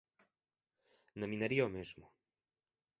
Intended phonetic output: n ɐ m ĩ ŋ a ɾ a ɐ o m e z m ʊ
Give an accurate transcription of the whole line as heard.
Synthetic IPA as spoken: n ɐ m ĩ n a ɾ i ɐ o m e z m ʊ